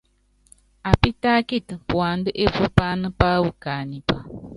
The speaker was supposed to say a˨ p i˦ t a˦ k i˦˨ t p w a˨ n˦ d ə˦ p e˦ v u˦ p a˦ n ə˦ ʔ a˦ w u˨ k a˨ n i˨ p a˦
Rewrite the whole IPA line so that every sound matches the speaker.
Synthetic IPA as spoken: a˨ p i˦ t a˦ k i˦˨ t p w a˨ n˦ d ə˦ ʔ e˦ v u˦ p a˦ n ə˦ p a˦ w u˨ k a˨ n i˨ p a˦

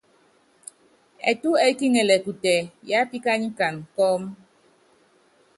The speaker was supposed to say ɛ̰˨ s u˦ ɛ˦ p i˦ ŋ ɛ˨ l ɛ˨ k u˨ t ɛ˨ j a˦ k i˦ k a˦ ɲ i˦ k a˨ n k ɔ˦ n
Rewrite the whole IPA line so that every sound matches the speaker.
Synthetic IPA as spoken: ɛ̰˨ t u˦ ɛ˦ k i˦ ŋ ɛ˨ l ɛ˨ k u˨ t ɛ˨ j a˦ p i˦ k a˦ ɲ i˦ k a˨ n k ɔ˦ m

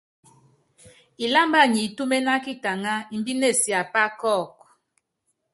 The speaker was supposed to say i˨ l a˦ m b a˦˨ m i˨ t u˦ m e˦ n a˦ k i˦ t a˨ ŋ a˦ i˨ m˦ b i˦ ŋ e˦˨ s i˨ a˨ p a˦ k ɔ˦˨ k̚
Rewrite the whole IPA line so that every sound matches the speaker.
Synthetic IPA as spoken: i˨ l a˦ m b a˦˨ ɲ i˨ t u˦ m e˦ n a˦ k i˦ t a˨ ŋ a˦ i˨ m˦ b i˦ n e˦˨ s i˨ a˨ p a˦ k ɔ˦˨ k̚

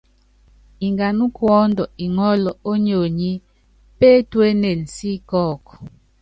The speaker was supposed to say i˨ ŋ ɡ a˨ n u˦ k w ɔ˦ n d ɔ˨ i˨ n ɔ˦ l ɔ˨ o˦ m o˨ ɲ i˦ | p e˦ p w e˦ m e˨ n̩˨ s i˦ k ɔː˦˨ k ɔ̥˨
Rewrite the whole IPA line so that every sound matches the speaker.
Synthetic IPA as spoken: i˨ ŋ ɡ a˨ n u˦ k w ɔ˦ n d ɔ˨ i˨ ŋ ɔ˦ l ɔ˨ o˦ ɲ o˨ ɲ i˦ | p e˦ t w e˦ n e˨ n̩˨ s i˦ k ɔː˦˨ k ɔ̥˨

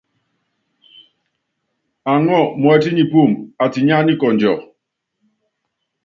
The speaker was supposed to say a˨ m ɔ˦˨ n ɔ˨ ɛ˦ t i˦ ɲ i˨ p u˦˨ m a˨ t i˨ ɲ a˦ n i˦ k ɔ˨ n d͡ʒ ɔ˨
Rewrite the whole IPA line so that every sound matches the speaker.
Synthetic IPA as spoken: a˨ ŋ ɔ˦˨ m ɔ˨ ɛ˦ t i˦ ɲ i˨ p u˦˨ m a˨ t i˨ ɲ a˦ n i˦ k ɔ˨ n d͡ʒ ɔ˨

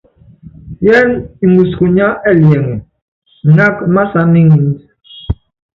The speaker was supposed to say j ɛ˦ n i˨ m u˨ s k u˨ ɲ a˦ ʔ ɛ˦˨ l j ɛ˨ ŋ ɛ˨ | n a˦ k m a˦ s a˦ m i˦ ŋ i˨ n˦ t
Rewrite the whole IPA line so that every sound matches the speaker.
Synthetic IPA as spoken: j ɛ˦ n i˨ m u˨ s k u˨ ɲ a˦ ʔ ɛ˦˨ l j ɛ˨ ŋ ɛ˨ | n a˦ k m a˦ s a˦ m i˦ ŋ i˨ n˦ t

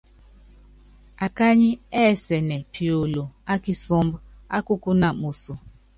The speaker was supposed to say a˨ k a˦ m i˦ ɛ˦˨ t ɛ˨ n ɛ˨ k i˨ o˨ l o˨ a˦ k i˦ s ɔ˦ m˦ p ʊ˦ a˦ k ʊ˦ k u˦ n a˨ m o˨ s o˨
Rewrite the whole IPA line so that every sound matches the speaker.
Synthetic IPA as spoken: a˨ k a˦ ɲ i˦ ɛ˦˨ s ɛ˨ n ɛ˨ p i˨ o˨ l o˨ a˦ k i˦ s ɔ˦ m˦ b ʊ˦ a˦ k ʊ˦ k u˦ n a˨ m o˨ s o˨

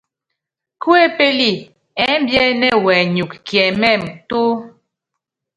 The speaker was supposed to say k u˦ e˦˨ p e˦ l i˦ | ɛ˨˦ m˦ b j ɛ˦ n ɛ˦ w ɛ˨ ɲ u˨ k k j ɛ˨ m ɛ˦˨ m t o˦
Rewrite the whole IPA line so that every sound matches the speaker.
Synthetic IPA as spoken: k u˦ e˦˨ p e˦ l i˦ | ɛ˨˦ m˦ b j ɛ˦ n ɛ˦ w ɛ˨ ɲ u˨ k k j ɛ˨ m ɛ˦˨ m t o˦

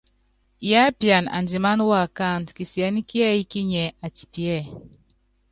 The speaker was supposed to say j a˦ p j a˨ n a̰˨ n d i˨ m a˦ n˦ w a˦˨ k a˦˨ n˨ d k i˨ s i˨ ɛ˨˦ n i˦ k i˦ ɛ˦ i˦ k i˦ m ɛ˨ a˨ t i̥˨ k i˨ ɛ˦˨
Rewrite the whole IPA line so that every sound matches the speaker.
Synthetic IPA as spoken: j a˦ p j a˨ n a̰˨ n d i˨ m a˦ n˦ w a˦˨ k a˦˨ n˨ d k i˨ s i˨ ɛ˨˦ n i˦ k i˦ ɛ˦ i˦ k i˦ ɲ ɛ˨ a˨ t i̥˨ p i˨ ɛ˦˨

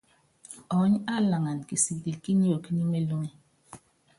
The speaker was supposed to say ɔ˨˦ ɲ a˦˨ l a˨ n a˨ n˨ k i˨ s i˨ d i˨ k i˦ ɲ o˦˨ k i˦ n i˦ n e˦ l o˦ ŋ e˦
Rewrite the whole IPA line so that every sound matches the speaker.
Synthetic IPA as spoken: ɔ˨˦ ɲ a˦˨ l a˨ ŋ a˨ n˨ k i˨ s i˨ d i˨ k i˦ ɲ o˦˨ k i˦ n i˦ m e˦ l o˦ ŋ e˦

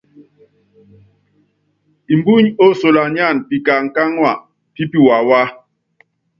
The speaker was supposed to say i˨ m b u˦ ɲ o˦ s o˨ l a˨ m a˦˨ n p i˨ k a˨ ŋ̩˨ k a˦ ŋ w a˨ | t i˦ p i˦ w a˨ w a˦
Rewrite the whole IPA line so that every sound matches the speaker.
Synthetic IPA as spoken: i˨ m b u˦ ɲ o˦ s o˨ l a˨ ɲ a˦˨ n p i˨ k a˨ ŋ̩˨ k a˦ ŋ w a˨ | t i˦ p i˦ w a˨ w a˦

